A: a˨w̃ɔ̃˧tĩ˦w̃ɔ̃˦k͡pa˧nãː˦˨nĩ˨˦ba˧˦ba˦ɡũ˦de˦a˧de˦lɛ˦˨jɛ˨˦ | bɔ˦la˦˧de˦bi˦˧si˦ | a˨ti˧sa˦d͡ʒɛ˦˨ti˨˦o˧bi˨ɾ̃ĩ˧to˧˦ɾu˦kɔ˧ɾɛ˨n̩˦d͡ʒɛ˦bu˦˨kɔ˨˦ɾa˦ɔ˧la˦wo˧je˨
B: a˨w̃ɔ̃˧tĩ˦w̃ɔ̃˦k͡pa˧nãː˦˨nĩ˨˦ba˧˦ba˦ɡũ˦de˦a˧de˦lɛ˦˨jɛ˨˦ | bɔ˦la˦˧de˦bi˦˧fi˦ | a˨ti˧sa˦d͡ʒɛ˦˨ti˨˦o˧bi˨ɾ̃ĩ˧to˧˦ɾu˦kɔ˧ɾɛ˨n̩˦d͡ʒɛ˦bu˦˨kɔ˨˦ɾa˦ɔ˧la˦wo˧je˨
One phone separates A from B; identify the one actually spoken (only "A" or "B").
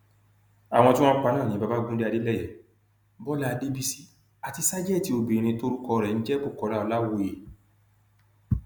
A